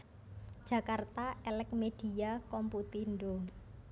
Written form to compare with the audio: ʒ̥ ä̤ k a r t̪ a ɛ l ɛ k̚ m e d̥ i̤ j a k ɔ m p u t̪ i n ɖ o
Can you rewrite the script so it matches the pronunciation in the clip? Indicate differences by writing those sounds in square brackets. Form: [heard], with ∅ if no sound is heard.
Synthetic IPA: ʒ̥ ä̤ k a r t̪ a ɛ l ɛ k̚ m e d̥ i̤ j a k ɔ m p u t̪ i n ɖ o